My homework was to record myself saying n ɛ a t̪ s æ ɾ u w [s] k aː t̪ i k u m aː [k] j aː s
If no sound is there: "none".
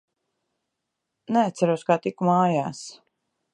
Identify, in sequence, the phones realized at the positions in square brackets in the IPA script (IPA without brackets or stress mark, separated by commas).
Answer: s, none